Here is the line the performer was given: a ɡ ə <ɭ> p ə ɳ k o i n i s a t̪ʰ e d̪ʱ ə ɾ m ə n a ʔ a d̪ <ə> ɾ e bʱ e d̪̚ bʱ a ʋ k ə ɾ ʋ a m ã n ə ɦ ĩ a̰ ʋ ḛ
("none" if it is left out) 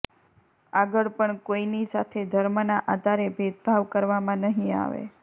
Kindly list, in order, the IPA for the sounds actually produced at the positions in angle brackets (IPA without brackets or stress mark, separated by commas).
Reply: ɭ, a